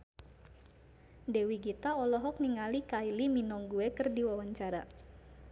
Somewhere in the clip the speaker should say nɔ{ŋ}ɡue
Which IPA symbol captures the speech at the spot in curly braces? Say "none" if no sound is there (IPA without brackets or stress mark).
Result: ŋ